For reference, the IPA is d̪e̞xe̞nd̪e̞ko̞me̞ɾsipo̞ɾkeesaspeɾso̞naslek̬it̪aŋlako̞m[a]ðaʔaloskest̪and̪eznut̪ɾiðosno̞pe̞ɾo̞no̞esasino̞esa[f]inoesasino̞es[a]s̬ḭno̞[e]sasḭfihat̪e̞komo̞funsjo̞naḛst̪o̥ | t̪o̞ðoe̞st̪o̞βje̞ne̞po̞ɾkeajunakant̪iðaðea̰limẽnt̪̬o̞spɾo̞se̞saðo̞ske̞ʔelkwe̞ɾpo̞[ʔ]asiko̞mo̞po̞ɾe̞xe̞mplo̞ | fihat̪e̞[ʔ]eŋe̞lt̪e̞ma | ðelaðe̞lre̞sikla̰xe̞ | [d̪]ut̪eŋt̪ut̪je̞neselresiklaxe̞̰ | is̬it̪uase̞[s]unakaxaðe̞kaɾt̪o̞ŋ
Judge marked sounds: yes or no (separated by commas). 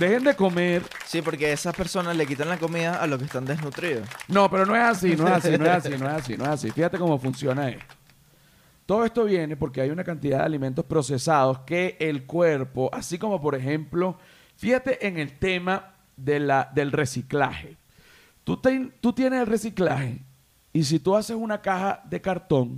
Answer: no, no, yes, yes, yes, yes, no, yes